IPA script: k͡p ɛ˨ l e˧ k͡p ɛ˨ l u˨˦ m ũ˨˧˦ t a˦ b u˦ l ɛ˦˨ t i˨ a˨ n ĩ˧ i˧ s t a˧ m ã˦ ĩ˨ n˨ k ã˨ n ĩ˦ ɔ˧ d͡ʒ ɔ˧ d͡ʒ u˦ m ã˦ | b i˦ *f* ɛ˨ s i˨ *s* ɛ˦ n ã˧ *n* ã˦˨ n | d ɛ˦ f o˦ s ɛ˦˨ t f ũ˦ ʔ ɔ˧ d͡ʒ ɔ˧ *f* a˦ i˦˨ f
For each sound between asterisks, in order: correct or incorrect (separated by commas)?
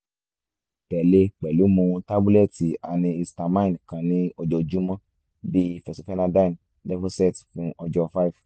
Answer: correct, incorrect, incorrect, correct